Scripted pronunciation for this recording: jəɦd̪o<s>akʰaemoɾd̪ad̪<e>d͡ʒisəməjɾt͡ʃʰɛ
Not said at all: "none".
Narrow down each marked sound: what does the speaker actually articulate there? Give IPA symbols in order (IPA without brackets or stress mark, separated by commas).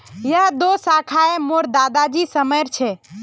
s, a